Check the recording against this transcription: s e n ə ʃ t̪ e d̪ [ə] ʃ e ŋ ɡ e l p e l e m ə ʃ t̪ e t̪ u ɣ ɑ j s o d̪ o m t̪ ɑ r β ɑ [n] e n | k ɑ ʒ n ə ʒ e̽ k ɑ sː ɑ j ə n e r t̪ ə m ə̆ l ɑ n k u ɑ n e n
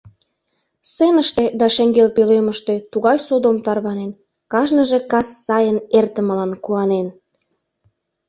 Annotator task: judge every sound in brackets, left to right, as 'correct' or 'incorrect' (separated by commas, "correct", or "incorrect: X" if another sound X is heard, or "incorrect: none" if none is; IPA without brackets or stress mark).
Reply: incorrect: ɑ, correct